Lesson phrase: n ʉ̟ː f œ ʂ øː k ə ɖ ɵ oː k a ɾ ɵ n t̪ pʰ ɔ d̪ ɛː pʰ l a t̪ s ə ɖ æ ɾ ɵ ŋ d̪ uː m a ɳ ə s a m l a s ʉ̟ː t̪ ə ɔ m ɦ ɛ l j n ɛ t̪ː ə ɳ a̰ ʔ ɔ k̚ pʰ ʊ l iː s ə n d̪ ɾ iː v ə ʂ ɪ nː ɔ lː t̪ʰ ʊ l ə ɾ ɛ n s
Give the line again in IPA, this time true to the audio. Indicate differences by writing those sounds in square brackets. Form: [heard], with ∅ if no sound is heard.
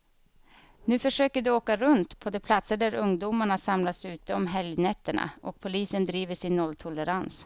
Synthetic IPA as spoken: n ʉ̟ː f œ ʂ øː k ə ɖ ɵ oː k a ɾ ɵ n t̪ pʰ ɔ d̪ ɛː pʰ l a t̪ s ə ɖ æ ɾ ɵ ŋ d̪ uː m a ɳ [a] s a m l a s ʉ̟ː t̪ ə ɔ m ɦ ɛ l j n ɛ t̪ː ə ɳ a̰ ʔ ɔ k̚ pʰ ʊ l iː s ə n d̪ ɾ iː v ə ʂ ɪ nː ɔ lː t̪ʰ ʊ l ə ɾ [a] n s

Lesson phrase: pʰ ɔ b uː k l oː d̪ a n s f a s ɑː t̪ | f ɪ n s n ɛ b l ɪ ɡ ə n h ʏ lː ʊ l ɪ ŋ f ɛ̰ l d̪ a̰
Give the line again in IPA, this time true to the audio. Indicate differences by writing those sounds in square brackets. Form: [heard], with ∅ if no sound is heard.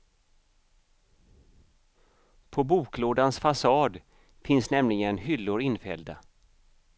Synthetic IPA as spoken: pʰ ɔ b uː k l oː d̪ a n s f a s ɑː [d̪] | f ɪ n s n ɛ [m] l ɪ ɡ ə n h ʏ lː ʊ [ɾ] ɪ [n] f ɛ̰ l d̪ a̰

